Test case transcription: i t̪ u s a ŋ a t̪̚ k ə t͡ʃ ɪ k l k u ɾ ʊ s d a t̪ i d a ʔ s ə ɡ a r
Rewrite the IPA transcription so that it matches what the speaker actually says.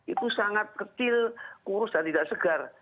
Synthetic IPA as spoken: i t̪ u s a ŋ a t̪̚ k ə t͡ʃ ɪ l k u ɾ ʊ s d a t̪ i d a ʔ s ə ɡ a r